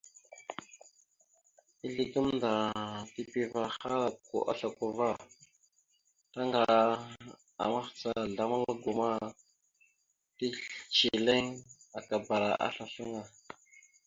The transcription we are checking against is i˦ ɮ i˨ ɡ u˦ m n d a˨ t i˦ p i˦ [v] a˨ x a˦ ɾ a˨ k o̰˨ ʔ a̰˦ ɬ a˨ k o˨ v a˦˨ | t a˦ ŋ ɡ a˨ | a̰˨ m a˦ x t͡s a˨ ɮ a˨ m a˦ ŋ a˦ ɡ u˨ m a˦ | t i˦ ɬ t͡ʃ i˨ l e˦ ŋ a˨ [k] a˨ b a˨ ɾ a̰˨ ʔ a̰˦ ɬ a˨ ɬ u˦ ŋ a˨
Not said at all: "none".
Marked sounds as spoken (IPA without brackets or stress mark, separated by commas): v, k